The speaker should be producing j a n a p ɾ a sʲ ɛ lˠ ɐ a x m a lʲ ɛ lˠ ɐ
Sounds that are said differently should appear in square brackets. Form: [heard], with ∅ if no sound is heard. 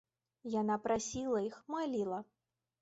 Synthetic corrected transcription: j a n a p ɾ a sʲ [i] lˠ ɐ [i] x m a lʲ [i] lˠ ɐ